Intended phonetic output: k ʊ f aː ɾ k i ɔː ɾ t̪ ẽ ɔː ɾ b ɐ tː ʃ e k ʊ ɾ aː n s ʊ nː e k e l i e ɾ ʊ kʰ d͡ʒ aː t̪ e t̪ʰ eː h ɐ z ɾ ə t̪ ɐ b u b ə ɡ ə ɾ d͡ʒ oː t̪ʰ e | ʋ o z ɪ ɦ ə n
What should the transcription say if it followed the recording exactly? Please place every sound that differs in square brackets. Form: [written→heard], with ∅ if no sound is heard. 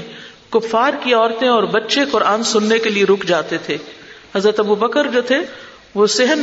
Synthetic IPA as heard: k ʊ f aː ɾ k i ɔː ɾ t̪ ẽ ɔː ɾ b ɐ tː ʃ e k ʊ ɾ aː n s ʊ nː e k e l i e ɾ ʊ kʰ d͡ʒ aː t̪ e t̪ʰ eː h ɐ z ɾ ə t̪ ɐ b u b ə [ɡ→k] ə ɾ d͡ʒ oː t̪ʰ e | ʋ o [z→s] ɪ ɦ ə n